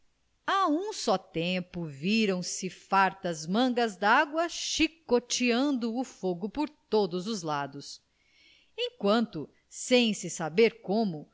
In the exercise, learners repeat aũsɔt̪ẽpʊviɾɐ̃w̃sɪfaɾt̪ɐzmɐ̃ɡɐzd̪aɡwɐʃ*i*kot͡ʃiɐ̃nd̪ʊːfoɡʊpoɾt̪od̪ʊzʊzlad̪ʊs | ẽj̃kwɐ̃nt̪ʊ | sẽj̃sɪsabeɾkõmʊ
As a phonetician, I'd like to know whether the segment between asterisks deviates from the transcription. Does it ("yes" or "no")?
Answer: no